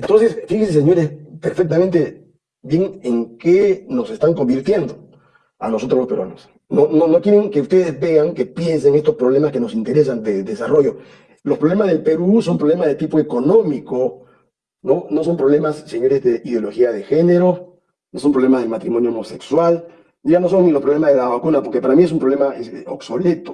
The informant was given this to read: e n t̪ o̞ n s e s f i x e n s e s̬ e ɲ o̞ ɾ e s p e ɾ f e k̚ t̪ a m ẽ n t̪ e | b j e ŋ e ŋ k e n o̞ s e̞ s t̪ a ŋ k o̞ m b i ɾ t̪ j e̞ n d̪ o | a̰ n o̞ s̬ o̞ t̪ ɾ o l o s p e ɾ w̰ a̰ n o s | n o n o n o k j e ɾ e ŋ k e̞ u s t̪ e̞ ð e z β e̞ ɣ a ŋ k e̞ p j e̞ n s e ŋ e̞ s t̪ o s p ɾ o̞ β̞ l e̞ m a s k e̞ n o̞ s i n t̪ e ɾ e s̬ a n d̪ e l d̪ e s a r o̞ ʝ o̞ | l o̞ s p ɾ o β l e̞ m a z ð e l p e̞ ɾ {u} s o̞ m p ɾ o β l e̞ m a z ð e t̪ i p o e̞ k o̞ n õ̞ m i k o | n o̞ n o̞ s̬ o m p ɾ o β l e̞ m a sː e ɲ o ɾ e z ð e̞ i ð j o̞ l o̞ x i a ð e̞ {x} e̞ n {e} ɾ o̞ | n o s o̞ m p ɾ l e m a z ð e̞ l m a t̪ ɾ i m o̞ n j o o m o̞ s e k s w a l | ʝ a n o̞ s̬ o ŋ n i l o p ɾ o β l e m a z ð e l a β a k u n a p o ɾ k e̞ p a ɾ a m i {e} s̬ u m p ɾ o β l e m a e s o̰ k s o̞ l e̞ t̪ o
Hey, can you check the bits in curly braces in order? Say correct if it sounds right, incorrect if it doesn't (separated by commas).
correct, correct, correct, correct